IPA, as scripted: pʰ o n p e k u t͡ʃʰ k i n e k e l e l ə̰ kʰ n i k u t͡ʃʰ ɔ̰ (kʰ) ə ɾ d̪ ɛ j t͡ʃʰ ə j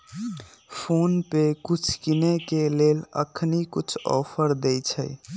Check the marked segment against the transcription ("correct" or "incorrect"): incorrect